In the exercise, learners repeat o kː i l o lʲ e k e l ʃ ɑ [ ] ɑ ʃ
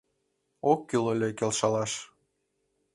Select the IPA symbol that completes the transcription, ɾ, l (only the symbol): l